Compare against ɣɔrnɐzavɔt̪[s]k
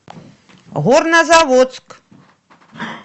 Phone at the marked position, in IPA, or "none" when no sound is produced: s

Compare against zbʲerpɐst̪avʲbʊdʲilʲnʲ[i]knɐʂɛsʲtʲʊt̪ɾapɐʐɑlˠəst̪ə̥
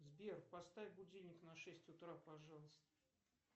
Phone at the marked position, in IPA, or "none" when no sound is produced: ɪ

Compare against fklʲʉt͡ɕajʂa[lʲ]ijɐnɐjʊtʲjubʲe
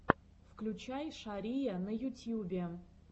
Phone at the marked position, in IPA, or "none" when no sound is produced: ɾʲ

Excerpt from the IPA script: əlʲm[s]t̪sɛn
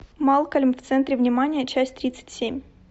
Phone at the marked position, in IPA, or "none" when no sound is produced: f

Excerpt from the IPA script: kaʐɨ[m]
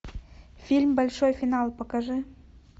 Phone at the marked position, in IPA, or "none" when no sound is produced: none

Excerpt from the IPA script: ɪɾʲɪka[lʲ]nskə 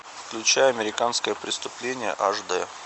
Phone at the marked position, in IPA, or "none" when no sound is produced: none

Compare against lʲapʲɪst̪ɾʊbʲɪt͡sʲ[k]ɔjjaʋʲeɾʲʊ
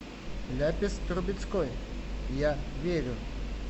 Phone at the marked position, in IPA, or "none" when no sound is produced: k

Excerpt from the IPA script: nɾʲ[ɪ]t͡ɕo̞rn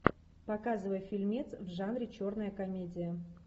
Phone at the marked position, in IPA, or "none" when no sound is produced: ɪ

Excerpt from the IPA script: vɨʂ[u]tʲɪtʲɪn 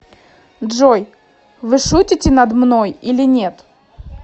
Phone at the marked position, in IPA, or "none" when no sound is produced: u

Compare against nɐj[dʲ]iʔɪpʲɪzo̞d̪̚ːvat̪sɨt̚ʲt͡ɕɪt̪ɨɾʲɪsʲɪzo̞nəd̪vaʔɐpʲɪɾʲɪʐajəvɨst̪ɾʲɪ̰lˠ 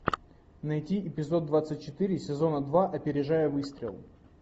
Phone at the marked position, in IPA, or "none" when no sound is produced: tʲ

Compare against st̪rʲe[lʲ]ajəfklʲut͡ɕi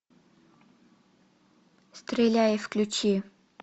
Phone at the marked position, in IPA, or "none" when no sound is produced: lʲ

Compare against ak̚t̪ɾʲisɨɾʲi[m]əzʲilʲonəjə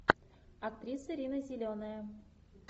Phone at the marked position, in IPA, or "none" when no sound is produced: n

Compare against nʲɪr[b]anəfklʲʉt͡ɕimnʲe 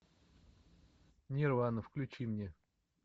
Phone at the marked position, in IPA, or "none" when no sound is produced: v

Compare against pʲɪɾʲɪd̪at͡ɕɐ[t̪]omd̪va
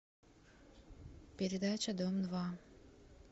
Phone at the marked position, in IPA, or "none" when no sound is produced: d̪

